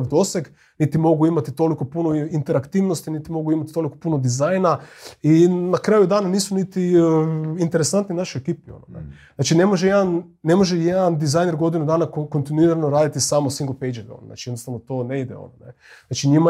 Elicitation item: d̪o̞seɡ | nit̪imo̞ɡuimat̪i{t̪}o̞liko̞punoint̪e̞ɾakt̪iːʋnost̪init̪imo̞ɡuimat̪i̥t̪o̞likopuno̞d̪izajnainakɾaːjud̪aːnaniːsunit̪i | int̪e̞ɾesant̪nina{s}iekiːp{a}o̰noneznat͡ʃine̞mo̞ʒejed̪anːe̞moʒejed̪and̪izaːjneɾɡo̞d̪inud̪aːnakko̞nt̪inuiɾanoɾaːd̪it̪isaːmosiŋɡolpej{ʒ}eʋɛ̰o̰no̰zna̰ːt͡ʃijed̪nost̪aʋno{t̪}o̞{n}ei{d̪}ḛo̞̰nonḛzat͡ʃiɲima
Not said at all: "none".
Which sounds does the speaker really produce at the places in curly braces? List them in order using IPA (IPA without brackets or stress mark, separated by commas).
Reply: t̪, ʃ, i, d͡ʒ, t̪, n, d̪